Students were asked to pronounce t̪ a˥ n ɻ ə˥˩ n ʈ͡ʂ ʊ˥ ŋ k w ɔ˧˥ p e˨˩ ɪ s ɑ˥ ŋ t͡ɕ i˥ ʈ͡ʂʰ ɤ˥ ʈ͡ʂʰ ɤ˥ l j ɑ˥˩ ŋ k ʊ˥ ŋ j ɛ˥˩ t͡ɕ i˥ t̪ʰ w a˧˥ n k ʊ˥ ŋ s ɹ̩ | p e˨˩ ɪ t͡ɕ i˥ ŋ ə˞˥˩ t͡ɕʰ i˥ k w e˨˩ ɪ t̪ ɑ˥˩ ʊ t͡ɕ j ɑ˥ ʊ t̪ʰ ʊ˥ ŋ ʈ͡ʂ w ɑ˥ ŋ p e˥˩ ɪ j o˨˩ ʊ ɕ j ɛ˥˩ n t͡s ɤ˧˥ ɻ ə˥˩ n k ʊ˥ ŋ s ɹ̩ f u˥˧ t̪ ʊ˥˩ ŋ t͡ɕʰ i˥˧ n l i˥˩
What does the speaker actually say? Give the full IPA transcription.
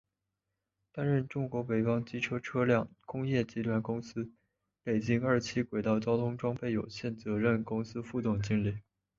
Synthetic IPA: t̪ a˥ n ɻ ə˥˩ n ʈ͡ʂ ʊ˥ ŋ k w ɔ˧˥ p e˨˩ ɪ f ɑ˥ ŋ t͡ɕ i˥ ʈ͡ʂʰ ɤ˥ ʈ͡ʂʰ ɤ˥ l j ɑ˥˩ ŋ k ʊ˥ ŋ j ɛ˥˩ t͡ɕ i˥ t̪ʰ w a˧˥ n k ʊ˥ ŋ s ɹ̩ | p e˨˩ ɪ t͡ɕ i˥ ŋ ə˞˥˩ t͡ɕʰ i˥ k w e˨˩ ɪ t̪ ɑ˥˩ ʊ t͡ɕ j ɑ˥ ʊ t̪ʰ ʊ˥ ŋ ʈ͡ʂ w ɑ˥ ŋ p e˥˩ ɪ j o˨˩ ʊ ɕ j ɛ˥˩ n t͡s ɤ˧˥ ɻ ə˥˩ n k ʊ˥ ŋ s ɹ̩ f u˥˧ t̪ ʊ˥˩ ŋ t͡ɕ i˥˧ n l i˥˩